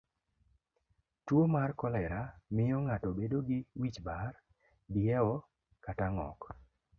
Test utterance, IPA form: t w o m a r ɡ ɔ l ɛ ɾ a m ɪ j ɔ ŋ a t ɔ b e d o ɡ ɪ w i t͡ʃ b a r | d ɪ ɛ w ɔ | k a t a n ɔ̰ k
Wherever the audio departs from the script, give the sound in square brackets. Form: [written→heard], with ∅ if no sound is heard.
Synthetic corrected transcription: t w o m a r [ɡ→k] ɔ l ɛ ɾ a m ɪ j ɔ ŋ a t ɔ b e d o ɡ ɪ w i t͡ʃ b a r | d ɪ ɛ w ɔ | k a t a [n→ŋ] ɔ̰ k